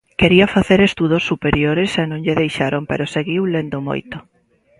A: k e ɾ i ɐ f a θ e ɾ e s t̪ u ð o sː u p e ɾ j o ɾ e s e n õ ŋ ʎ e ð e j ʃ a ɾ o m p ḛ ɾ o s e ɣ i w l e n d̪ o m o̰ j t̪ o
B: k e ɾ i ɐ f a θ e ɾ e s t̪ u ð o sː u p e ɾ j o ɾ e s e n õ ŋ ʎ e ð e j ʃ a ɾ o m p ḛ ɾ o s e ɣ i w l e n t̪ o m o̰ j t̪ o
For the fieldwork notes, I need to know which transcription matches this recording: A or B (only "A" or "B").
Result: A